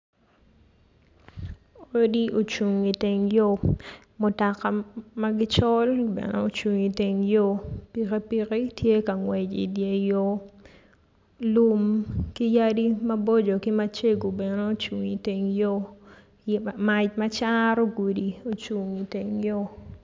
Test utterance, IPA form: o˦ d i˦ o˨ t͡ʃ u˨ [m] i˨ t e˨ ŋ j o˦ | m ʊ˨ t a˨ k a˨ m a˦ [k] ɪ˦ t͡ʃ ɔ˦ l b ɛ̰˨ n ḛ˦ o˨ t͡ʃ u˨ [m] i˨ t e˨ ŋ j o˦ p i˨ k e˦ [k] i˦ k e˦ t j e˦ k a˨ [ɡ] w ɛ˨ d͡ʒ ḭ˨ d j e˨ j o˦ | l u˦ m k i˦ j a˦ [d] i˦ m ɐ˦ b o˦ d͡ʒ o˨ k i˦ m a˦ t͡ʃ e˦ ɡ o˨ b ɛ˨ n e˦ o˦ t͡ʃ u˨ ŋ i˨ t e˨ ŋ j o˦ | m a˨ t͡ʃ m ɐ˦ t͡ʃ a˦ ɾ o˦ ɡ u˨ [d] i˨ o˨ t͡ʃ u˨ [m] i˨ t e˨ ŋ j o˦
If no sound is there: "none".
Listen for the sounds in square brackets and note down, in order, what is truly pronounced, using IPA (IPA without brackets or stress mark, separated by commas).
ŋ, ɡ, ŋ, p, ŋ, d, d, ŋ